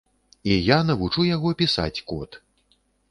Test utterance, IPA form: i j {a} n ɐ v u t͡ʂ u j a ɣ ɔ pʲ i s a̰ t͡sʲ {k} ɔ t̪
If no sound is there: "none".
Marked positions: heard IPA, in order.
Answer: a, k

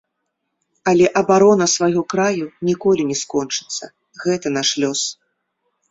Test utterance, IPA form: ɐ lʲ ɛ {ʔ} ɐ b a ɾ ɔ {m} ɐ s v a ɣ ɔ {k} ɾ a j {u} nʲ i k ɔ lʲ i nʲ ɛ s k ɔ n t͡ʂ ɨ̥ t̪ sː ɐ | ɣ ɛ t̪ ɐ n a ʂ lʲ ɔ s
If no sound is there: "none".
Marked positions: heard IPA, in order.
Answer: ʔ, n, k, u

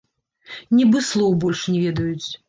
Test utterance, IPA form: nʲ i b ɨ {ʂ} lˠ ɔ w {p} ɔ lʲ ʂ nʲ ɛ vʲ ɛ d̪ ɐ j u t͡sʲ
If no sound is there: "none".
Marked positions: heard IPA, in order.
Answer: s, b

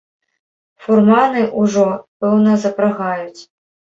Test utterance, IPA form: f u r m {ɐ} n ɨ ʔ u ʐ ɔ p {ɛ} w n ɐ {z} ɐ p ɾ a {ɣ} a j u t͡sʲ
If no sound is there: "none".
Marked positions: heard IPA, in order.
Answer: a, ɛ, z, ɣ

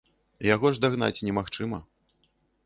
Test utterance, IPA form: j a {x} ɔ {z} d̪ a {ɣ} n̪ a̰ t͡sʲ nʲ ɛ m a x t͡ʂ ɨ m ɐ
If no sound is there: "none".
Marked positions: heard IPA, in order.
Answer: ɣ, ʐ, ɣ

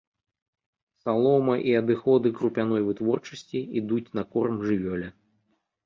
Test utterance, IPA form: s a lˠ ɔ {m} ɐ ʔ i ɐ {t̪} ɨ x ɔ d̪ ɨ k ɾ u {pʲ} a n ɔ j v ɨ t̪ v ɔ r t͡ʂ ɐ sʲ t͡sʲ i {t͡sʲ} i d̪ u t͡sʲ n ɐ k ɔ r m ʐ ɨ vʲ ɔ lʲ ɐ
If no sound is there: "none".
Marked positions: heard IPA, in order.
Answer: m, d̪, pʲ, none

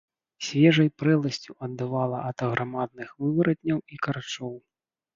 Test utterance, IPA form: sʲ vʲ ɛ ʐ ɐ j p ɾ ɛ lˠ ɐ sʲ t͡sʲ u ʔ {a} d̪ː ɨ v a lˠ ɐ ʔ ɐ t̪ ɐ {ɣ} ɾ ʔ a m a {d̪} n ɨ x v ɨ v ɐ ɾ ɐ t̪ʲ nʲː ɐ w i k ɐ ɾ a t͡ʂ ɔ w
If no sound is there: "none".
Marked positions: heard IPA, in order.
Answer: ɐ, ɣ, d̪

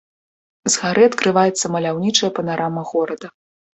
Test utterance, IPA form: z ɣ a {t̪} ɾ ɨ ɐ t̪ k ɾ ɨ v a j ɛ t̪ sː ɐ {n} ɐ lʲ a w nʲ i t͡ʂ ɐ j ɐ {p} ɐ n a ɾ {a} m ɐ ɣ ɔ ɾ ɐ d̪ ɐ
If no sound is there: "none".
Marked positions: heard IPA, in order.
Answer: none, m, p, a

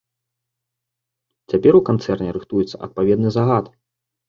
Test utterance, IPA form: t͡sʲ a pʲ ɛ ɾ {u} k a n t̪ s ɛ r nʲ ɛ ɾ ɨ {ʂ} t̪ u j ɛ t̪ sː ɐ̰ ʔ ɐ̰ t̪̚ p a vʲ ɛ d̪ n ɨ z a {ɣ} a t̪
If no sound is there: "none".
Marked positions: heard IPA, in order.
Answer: u, x, ɣ

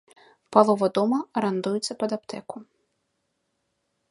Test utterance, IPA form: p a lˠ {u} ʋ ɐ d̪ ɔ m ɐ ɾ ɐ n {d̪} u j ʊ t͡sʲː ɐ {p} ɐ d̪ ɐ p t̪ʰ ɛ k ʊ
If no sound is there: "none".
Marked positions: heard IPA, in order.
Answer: ɔ, d̪, p

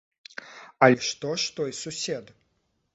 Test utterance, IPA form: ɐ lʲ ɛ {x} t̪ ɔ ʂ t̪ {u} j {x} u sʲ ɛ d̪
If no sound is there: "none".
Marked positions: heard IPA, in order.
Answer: ʂ, ɔ, s

